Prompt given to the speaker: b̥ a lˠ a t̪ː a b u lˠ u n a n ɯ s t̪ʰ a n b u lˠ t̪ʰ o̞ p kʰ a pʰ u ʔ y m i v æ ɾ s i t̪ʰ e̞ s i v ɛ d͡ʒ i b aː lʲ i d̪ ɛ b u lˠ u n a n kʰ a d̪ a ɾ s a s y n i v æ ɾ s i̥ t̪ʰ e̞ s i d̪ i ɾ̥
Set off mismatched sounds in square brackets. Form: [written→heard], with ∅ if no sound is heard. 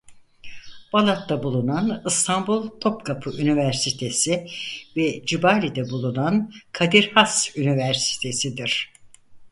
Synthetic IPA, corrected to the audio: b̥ a lˠ a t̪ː a b u lˠ u n a n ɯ s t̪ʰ a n b u lˠ t̪ʰ o̞ p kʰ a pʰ [u→ɯ] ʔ y [m→n] i v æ ɾ s i t̪ʰ e̞ s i v ɛ d͡ʒ i b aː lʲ i d̪ ɛ b u lˠ u n a n kʰ a d̪ [a→i] ɾ [s→h] a s y n i v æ ɾ s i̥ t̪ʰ e̞ s i d̪ i ɾ̥